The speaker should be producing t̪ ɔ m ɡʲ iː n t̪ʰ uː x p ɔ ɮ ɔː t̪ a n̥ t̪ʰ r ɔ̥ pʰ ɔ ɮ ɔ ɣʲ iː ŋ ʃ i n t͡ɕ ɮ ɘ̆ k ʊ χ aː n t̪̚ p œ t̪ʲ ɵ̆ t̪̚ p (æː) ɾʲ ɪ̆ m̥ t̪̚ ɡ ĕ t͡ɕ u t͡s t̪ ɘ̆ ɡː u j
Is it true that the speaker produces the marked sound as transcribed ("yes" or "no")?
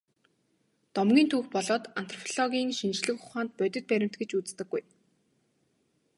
no